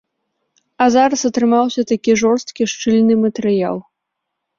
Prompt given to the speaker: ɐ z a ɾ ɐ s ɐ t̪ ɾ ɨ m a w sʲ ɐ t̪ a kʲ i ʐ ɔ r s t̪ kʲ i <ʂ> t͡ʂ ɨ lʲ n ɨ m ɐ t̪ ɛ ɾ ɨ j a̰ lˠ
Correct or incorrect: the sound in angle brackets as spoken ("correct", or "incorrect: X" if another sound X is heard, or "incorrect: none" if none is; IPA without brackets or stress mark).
correct